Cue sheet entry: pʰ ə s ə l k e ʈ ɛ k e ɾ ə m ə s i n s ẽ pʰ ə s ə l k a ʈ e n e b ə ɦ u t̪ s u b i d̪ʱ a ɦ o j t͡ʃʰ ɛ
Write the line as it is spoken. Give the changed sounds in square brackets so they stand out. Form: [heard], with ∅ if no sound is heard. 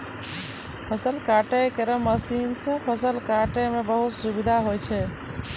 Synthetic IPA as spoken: pʰ ə s ə l k [a] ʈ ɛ k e ɾ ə m ə s i n s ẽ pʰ ə s ə l k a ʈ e [m] e b ə ɦ u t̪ s u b i d̪ʱ a ɦ o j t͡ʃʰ ɛ